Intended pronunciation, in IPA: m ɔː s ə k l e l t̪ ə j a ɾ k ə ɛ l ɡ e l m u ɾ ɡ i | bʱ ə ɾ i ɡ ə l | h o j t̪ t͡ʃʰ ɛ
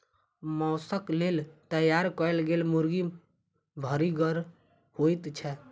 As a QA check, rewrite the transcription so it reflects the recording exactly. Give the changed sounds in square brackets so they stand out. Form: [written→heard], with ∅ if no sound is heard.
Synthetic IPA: m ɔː s ə k l e l t̪ ə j a ɾ k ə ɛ l ɡ e l m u ɾ ɡ i | bʱ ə ɾ i ɡ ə [l→ɾ] | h o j t̪ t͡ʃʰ ɛ